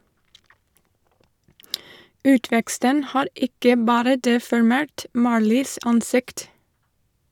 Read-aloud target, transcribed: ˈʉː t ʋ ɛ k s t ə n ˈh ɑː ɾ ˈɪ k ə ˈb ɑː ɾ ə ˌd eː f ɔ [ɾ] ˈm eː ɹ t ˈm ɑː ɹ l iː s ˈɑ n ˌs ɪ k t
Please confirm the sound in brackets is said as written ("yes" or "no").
no